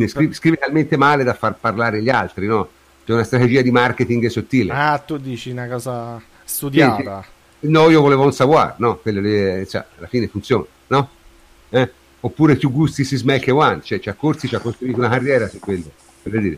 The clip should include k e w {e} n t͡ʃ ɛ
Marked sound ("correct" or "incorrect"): incorrect